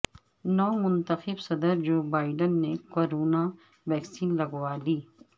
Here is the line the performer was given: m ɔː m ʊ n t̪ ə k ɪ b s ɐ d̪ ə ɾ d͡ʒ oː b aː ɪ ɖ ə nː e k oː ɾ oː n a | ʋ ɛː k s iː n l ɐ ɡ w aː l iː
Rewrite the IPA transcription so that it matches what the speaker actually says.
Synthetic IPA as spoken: n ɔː m ʊ n t̪ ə x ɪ b s ɐ d̪ ə ɾ d͡ʒ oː b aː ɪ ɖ ə nː e k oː ɾ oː n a | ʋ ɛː k s iː n l ɐ ɡ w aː l iː

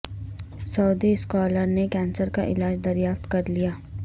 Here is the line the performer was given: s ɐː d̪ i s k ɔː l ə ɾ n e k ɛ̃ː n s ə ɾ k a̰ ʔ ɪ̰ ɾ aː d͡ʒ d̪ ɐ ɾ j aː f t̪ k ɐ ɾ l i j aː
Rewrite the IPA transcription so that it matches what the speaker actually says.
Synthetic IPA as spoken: s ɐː d̪ i s k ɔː l ə ɾ n e k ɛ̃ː n s ə ɾ k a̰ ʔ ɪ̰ l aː d͡ʒ d̪ ɐ ɾ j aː f t̪ k ɐ ɾ l i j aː

